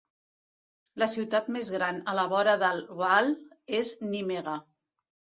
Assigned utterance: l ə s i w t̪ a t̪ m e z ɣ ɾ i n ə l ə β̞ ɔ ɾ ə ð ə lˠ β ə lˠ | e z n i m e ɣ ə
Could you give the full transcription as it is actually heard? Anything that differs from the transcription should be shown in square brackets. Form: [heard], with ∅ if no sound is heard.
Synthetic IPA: l ə s i w t̪ a t̪ m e z ɣ ɾ [a] n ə l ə β̞ ɔ ɾ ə ð ə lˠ β [a] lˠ | e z n i m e ɣ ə